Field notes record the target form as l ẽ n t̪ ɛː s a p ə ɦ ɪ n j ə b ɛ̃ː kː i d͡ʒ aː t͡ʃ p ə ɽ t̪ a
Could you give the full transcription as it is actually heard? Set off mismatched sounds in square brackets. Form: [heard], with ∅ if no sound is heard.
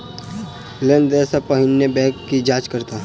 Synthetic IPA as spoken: l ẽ n [d̪] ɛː s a p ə ɦ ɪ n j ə b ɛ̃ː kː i d͡ʒ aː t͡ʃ [k] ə [ɾ] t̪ a